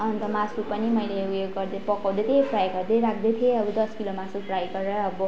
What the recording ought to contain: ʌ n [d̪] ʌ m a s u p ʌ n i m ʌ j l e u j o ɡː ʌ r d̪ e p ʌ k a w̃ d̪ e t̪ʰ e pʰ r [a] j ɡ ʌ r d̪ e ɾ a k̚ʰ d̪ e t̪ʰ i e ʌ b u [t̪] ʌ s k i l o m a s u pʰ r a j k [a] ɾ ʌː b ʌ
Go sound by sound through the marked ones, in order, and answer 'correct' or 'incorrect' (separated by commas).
incorrect, correct, incorrect, incorrect